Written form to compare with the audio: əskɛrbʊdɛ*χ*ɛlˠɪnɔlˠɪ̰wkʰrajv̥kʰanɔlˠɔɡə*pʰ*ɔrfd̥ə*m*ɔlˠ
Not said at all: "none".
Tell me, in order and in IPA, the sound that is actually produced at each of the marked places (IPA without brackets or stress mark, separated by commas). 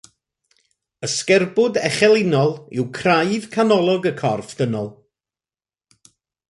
χ, kʰ, n